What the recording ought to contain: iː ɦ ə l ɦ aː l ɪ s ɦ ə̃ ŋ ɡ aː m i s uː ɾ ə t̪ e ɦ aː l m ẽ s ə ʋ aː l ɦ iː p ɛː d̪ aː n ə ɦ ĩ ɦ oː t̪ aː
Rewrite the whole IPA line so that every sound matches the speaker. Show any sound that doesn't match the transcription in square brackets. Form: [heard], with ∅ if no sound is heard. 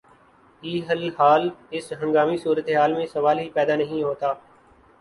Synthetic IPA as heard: iː ɦ ə l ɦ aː l ɪ s ɦ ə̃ ŋ ɡ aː m i s uː ɾ ə t̪ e ɦ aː l m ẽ s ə ʋ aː l ɦ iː p ɛː d̪ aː n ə ɦ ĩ ɦ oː t̪ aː